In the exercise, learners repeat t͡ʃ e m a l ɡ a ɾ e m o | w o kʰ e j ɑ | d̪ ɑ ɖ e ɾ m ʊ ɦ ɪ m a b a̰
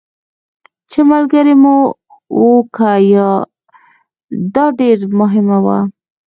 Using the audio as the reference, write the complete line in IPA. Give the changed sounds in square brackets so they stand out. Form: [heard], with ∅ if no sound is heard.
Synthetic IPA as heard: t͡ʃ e m a l ɡ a ɾ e m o | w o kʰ [a] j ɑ | d̪ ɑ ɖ e ɾ m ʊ ɦ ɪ m a [w] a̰